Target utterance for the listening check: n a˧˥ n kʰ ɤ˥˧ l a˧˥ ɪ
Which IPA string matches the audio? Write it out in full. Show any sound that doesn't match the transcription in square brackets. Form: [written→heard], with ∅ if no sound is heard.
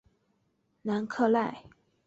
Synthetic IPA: n a˧˥ n kʰ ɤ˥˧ l [a˧˥→a˥˩] ɪ